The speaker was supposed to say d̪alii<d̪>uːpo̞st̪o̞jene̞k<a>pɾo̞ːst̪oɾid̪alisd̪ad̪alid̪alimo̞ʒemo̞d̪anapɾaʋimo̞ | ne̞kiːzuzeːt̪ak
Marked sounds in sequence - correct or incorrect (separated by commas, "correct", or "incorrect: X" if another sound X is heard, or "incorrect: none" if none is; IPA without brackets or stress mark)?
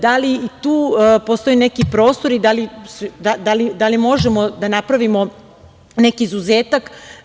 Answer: incorrect: t̪, incorrect: i